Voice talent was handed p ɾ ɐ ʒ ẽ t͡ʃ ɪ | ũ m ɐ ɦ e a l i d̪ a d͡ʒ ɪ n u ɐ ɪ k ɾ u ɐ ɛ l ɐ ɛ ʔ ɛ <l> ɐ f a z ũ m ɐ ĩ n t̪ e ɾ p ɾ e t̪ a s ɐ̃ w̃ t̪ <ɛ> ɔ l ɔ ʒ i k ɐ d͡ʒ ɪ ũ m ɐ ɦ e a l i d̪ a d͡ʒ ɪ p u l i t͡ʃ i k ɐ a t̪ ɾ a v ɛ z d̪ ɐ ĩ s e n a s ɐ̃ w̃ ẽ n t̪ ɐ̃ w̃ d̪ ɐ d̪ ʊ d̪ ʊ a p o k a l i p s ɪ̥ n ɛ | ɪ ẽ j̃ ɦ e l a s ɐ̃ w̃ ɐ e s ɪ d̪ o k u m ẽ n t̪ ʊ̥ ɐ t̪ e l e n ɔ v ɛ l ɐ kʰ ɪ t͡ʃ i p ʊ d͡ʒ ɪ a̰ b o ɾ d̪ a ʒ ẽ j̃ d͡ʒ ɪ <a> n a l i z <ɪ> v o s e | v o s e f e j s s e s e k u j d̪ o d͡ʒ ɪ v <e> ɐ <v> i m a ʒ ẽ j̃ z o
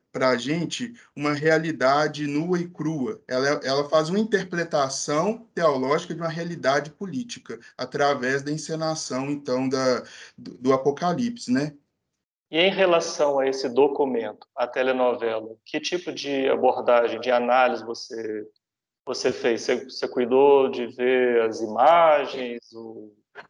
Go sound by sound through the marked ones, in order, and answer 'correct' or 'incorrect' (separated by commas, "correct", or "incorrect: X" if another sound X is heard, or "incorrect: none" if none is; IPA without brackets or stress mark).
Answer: correct, incorrect: e, correct, correct, correct, incorrect: z